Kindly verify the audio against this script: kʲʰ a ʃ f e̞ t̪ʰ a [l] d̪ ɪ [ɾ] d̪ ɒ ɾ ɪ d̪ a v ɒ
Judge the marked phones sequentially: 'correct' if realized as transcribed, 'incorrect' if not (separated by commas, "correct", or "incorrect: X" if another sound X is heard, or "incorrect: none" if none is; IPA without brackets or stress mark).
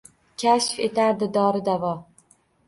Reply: incorrect: ɾ, incorrect: none